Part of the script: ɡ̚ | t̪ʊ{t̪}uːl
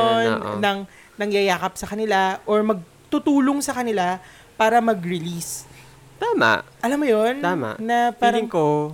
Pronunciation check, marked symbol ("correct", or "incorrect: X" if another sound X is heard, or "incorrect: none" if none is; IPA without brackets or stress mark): correct